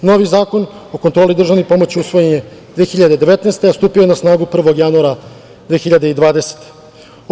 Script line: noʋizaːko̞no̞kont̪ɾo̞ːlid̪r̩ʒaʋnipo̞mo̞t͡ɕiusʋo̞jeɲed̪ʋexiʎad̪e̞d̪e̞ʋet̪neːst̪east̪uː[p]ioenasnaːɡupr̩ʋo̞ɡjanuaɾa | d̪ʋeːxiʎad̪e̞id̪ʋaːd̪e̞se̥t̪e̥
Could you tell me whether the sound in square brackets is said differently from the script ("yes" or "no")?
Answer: no